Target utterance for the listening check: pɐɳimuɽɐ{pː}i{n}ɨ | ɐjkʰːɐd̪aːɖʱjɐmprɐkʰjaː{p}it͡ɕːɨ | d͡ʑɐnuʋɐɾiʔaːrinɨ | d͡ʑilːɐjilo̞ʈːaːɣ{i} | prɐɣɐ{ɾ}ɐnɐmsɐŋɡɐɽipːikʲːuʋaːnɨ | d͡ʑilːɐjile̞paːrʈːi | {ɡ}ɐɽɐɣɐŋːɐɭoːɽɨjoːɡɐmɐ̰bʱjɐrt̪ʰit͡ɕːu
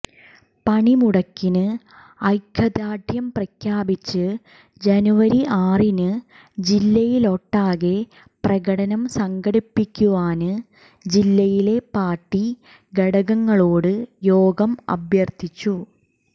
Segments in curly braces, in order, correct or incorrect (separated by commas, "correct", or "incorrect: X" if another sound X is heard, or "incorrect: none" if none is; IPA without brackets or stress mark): incorrect: kː, correct, incorrect: b, incorrect: e, incorrect: ɽ, correct